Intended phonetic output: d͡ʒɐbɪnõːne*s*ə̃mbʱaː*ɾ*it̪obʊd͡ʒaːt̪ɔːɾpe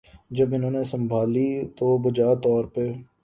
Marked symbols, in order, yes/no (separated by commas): yes, no